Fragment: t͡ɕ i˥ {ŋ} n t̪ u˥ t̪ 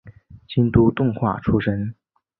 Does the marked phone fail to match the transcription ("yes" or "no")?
yes